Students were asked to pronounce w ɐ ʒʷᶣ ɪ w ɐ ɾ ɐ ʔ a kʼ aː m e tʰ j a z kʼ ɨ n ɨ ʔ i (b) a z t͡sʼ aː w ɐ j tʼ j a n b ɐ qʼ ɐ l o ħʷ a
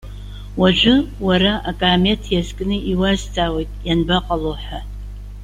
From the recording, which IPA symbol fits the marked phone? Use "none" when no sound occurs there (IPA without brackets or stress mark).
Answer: w